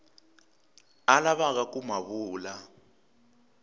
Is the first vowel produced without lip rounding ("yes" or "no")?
yes